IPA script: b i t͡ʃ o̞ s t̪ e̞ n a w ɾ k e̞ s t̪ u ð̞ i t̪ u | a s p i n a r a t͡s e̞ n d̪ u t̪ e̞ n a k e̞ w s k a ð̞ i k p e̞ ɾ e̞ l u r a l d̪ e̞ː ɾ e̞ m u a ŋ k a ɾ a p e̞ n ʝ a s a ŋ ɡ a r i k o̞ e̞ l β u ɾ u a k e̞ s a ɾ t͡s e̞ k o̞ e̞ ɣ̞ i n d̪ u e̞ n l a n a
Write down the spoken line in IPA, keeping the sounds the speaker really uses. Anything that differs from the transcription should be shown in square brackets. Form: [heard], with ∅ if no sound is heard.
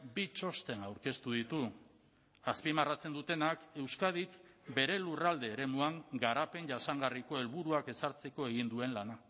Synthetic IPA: b i t͡ʃ o̞ s t̪ e̞ n a w ɾ k e̞ s t̪ u ð̞ i t̪ u | a s p i [m] a r a t͡s e̞ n d̪ u t̪ e̞ n a k e̞ w s k a ð̞ i k [b] e̞ ɾ e̞ l u r a l d̪ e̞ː ɾ e̞ m u a ŋ [ɡ] a ɾ a p e̞ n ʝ a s a ŋ ɡ a r i k o̞ e̞ l β u ɾ u a k e̞ s a ɾ t͡s e̞ k o̞ e̞ ɣ̞ i n d̪ u e̞ n l a n a